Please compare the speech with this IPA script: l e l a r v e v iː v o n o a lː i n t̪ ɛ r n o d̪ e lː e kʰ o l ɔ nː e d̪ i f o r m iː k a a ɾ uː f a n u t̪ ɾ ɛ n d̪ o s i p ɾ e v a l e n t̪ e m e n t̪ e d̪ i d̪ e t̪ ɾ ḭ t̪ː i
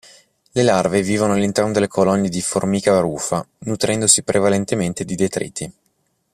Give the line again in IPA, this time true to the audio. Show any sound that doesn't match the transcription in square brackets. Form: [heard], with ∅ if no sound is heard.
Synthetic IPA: l e l a r v e v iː v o n o a lː i n t̪ ɛ r n o d̪ e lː e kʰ o l ɔ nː e d̪ i f o r m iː k a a ɾ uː f a n u t̪ ɾ ɛ n d̪ o s i p ɾ e v a l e n t̪ e m e n t̪ e d̪ i d̪ e t̪ ɾ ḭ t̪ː i